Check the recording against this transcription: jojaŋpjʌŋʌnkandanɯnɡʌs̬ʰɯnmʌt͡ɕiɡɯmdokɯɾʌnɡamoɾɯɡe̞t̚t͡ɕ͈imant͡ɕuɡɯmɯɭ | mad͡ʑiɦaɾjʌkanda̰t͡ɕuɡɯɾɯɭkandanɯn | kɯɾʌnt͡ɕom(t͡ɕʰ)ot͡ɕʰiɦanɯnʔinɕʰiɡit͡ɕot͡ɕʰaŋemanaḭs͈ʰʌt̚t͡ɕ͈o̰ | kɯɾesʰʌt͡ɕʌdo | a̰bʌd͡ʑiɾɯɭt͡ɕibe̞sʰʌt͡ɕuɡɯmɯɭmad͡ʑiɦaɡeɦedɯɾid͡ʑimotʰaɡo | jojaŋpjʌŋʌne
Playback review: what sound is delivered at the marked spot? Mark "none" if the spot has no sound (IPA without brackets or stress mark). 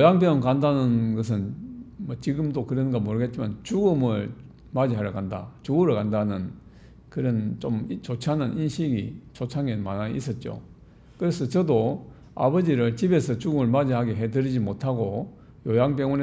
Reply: t͡ɕ